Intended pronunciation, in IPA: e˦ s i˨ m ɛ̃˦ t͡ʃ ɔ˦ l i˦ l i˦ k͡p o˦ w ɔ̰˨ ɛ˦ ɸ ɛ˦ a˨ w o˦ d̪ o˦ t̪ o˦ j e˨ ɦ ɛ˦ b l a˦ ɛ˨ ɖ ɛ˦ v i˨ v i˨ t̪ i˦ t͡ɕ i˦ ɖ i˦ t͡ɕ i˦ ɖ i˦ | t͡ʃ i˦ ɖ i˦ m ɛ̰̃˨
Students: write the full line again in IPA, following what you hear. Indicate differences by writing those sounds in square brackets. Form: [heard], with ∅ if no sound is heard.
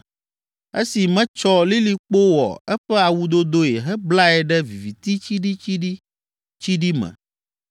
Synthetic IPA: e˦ s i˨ m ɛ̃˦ t͡ʃ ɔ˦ l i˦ l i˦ k͡p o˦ w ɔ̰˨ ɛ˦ ɸ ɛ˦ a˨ w [u˦] d̪ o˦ [d̪] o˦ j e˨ ɦ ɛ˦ b l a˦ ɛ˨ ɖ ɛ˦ v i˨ v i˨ t̪ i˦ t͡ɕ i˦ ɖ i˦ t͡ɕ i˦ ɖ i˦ | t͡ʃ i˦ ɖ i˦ m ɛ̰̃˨

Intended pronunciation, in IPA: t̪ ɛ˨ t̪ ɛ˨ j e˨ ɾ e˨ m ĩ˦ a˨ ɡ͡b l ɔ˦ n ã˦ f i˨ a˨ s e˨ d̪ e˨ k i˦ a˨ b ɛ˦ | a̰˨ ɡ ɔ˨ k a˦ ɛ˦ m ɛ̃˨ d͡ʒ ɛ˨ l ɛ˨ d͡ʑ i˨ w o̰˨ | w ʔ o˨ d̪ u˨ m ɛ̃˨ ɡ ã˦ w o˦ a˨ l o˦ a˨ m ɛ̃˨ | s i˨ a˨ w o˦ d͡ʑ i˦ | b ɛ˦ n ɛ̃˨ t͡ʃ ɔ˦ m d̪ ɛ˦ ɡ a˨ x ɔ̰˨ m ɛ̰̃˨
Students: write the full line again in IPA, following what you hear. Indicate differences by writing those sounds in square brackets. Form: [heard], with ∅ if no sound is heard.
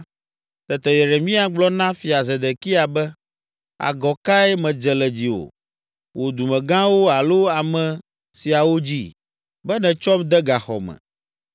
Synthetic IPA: t̪ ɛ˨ t̪ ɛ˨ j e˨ ɾ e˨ m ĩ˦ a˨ ɡ͡b l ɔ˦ n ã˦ f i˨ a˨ [z] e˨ d̪ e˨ k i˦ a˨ b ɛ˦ | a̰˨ ɡ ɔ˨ k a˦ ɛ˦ m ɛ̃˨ d͡ʒ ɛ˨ l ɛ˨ d͡ʑ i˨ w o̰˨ | w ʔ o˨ d̪ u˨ m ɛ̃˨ ɡ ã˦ w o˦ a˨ l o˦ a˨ m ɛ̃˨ | s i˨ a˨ w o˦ d͡ʑ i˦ | b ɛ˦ n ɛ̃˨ t͡ʃ ɔ˦ m d̪ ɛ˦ ɡ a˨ x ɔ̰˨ m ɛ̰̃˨

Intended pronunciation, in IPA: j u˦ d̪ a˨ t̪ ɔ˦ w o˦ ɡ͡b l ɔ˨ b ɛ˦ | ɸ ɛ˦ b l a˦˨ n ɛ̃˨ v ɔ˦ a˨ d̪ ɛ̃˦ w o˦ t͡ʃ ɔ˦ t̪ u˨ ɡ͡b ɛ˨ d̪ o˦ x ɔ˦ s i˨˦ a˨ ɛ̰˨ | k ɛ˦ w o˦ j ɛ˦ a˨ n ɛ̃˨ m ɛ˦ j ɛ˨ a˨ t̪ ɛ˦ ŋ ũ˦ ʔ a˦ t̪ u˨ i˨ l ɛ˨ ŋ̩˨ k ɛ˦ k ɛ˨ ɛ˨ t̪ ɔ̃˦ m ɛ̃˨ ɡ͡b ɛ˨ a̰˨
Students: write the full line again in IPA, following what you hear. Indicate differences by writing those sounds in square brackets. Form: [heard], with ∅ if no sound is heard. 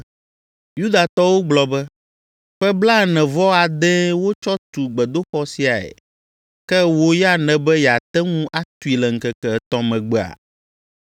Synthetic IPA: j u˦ d̪ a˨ t̪ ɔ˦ w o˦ ɡ͡b l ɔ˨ b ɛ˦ | ɸ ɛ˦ b l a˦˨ n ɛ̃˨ v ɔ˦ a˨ d̪ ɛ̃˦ w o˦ t͡ʃ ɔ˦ t̪ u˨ ɡ͡b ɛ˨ d̪ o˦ x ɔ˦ s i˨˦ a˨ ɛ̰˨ | k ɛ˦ w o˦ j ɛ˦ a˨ n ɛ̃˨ [b] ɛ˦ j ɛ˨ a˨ t̪ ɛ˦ ŋ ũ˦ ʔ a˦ t̪ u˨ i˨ l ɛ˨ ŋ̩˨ k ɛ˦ k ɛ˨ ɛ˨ t̪ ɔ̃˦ m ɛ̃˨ ɡ͡b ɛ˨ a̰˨

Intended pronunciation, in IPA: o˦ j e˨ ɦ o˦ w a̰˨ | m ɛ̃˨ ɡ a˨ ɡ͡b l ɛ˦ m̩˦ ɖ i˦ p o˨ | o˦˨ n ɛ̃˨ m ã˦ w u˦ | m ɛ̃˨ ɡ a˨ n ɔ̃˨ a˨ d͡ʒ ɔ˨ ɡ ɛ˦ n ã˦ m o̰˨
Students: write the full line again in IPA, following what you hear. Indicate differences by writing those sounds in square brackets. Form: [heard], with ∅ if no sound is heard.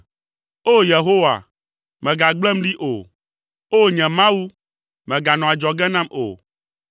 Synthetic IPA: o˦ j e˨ ɦ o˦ w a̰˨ | m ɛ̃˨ ɡ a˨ ɡ͡b l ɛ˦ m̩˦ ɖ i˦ [ʔ] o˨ | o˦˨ [ɲ] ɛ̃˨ m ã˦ w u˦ | m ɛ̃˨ ɡ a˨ n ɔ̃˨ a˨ d͡ʒ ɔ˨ ɡ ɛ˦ n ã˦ m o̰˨

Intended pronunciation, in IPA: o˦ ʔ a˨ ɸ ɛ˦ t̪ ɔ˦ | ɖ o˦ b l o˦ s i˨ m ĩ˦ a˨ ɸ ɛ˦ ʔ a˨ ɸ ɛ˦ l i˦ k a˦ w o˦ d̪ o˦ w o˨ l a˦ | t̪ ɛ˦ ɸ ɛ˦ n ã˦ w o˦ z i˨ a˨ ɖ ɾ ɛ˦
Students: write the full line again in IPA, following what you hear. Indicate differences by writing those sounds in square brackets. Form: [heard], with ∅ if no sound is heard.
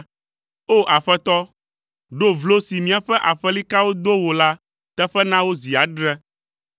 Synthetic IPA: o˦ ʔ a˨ ɸ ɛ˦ t̪ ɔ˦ | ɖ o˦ [v] l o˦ s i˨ m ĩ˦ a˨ ɸ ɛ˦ ʔ a˨ ɸ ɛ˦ l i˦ k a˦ w o˦ d̪ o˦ w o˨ l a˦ | t̪ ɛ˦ ɸ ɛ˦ n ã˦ w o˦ z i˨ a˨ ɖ ɾ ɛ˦

